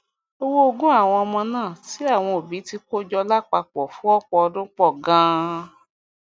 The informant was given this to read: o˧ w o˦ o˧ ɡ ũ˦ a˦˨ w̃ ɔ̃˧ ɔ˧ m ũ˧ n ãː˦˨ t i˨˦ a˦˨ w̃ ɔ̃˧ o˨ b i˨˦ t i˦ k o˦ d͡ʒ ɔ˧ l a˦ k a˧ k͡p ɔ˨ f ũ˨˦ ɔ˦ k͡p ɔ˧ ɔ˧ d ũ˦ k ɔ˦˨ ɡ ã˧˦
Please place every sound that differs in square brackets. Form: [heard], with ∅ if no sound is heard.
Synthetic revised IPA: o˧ w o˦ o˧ ɡ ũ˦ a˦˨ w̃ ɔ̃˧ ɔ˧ m [ɔ̃˧] n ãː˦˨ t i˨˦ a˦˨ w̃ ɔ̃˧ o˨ b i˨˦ t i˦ k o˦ d͡ʒ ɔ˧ l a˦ [k͡p] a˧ k͡p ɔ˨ f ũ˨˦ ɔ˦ k͡p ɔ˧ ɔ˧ d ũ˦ [k͡p] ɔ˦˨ ɡ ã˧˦

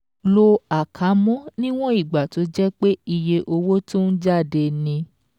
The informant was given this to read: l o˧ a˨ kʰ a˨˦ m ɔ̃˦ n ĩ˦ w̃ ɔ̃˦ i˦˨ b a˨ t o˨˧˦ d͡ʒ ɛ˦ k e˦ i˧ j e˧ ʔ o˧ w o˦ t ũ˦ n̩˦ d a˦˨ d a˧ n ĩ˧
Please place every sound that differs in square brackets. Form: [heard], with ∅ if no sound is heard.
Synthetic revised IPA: l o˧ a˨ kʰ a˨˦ m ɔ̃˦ n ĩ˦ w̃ ɔ̃˦ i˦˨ [ɡ͡b] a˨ t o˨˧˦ d͡ʒ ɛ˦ [k͡p] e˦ i˧ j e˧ ʔ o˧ w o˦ t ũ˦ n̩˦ [d͡ʒ] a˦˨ d [e˧] n ĩ˧

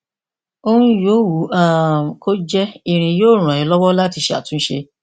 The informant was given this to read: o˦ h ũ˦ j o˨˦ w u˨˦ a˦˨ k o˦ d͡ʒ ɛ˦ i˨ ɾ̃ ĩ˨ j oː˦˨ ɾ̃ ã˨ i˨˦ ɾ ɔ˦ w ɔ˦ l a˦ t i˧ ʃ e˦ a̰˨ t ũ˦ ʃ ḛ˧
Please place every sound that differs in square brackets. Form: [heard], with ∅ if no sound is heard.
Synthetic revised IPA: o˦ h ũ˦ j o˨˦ w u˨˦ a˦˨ k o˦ d͡ʒ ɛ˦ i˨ ɾ̃ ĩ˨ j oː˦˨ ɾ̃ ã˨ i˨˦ [l] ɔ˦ w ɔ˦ l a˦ t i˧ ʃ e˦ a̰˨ t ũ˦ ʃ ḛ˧

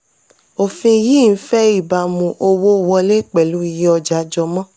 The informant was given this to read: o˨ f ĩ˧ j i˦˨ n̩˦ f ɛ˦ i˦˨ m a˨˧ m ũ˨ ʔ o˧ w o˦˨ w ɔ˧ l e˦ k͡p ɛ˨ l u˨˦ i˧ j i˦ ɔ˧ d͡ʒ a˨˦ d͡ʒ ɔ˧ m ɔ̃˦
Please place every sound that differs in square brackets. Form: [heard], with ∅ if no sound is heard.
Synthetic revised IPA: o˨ f ĩ˧ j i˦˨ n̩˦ f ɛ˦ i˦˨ [b] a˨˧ m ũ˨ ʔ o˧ w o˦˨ w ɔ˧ l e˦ k͡p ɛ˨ l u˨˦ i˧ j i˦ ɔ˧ d͡ʒ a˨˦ d͡ʒ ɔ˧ m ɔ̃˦

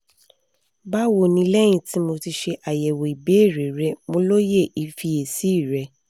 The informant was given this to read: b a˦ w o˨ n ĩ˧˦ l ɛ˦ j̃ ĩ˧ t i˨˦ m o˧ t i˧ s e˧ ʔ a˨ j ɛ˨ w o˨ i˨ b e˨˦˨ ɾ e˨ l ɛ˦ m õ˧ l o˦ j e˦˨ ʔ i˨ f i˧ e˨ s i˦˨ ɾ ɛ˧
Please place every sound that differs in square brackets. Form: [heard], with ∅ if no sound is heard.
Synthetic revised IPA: b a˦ w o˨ n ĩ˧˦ l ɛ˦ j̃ ĩ˧ t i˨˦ m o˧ t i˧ [ʃ] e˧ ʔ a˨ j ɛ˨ w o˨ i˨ b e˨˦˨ ɾ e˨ [ɾ] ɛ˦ m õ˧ l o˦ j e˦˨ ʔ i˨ f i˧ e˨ s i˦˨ ɾ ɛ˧

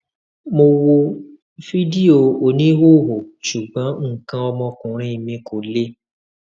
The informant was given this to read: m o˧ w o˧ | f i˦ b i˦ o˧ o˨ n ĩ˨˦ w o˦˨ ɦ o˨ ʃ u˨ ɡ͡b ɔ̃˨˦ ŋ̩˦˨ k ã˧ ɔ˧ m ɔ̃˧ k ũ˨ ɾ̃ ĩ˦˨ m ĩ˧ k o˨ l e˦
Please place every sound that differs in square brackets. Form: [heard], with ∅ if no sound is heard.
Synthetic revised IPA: m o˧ w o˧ | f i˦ [d] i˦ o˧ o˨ n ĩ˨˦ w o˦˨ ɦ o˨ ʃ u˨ ɡ͡b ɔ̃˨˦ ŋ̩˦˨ k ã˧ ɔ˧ m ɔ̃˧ k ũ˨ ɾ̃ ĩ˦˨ m ĩ˧ k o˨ l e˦

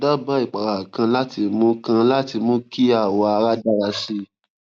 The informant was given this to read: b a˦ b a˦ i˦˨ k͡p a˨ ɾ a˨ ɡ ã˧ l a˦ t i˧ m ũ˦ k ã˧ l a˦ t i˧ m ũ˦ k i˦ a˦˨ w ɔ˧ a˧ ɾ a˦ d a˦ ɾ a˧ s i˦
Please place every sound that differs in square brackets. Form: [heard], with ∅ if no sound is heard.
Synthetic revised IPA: [d] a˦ b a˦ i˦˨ k͡p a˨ ɾ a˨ [k] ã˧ l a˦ t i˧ m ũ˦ k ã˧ l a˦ t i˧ m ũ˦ k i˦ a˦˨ w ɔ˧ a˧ ɾ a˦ d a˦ ɾ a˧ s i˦

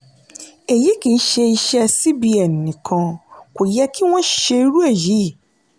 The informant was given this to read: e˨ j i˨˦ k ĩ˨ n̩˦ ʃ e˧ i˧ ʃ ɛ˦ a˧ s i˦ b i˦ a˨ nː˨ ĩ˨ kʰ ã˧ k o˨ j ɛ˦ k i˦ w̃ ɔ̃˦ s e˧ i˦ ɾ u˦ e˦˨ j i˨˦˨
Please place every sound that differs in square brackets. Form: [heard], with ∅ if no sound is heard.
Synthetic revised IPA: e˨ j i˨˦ k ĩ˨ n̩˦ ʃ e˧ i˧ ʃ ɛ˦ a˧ s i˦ b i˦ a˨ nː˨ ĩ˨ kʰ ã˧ k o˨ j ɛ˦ k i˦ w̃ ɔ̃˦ [ʃ] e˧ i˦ ɾ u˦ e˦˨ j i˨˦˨

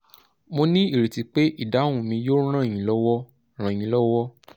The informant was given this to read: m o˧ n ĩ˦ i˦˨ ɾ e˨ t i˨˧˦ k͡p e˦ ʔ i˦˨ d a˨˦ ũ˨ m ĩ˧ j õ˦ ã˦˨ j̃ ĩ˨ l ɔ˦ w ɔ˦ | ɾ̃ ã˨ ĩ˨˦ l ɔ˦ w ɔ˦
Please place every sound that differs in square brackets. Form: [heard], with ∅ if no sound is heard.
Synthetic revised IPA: m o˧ n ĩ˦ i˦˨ ɾ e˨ t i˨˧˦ k͡p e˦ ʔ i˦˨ d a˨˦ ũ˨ m ĩ˧ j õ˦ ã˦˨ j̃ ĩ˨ l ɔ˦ w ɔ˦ | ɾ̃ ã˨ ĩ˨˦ l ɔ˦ w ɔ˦

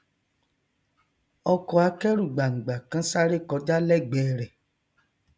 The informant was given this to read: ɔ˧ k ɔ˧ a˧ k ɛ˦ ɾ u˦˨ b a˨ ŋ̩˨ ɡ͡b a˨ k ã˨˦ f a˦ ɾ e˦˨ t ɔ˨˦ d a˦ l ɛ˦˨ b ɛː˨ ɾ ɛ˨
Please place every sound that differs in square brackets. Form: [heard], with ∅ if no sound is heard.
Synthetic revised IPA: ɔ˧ k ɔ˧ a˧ k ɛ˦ ɾ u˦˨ [ɡ͡b] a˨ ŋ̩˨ ɡ͡b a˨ k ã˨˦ [s] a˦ ɾ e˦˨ [k] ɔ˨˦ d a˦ l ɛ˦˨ [ɡ͡b] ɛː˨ ɾ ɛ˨

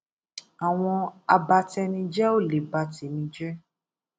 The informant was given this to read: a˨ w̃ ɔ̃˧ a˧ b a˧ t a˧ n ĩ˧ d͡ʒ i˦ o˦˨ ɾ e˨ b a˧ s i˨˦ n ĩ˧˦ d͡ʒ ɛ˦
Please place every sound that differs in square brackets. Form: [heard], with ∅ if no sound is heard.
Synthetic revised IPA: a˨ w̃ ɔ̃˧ a˧ b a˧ t [ɛ˧] n ĩ˧ d͡ʒ [ɛ˦] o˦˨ [l] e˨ b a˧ [t] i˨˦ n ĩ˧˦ d͡ʒ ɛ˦

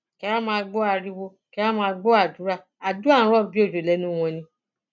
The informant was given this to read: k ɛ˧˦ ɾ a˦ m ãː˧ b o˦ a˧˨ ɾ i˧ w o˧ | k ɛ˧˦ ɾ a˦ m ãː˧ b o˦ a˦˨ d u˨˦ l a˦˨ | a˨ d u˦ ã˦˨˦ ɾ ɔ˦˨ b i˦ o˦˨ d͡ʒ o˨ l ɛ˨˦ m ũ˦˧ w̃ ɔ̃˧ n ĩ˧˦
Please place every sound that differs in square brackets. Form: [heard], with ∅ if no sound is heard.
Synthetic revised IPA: k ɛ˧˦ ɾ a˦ m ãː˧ [ɡ͡b] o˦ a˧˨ ɾ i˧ w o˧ | k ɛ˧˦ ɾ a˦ m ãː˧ [ɡ͡b] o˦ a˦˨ d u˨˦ [ɾ] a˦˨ | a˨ d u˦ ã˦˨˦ ɾ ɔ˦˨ b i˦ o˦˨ d͡ʒ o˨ l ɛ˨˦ [n] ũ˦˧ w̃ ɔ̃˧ n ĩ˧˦

